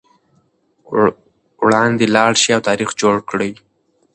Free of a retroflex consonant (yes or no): no